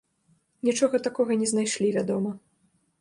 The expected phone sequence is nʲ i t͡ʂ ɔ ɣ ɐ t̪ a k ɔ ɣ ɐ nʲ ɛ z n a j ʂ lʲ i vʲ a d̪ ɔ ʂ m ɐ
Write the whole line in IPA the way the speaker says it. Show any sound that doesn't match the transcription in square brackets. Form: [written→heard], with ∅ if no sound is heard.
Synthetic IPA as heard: nʲ i t͡ʂ ɔ ɣ ɐ t̪ a k ɔ ɣ ɐ nʲ ɛ z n a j ʂ lʲ i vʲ a d̪ ɔ [ʂ→∅] m ɐ